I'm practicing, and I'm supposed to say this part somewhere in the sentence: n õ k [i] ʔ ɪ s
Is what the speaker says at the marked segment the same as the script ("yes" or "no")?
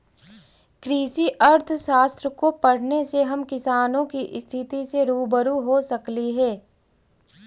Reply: yes